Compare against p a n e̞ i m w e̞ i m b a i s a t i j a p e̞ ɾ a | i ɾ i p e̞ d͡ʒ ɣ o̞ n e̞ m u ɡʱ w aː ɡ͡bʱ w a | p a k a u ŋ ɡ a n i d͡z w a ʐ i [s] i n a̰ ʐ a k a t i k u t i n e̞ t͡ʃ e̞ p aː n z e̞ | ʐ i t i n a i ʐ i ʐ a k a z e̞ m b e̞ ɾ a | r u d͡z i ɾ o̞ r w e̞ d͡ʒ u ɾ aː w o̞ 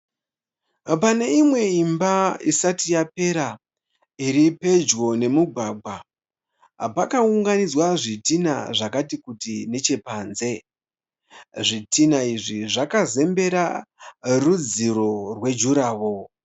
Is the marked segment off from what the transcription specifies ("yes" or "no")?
yes